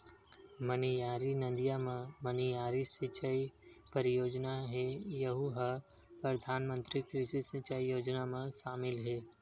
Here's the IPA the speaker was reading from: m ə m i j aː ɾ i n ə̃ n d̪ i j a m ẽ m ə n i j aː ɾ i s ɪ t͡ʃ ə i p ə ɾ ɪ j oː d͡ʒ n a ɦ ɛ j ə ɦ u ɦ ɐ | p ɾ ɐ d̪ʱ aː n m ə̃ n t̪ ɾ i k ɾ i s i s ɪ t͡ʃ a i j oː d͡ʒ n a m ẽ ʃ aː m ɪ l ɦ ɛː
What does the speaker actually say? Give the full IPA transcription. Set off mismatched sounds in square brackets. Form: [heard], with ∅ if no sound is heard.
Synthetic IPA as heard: m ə [n] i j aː ɾ i n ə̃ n d̪ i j a m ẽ m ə n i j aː ɾ i s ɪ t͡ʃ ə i p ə ɾ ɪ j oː d͡ʒ n a ɦ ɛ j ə ɦ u ɦ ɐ | p ɾ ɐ d̪ʱ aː n m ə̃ n t̪ ɾ i k ɾ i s i s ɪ t͡ʃ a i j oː d͡ʒ n a m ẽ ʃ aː m ɪ l ɦ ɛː